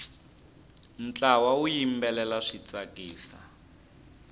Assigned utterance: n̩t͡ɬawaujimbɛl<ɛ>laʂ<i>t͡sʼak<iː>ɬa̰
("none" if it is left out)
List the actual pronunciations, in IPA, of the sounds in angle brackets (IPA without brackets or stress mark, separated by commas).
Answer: ɛ, i, iː